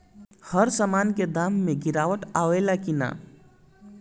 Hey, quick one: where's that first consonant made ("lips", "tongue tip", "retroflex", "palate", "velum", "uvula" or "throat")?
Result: throat